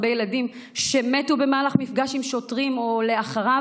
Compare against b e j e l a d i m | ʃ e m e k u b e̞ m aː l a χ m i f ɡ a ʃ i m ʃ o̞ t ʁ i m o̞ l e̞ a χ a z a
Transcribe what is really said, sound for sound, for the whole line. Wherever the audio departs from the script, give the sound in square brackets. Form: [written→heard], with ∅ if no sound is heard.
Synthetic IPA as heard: b e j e l a d i m | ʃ e m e [k→t] u b e̞ m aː l a χ m i f ɡ a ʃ i m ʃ o̞ t ʁ i m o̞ l e̞ a χ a [z→ʁ] a